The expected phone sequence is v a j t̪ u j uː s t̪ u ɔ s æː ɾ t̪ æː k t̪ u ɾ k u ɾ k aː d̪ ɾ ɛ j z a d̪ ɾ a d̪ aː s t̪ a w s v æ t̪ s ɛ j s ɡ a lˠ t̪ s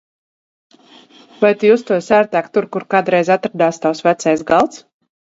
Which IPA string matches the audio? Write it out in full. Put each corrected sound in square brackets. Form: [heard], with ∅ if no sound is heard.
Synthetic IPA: v a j t̪ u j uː s t̪ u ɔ s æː ɾ t̪ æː k t̪ u ɾ k u ɾ k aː d̪ ɾ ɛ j z a [t̪] ɾ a d̪ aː s t̪ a w s v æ t̪ s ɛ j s ɡ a lˠ t̪ s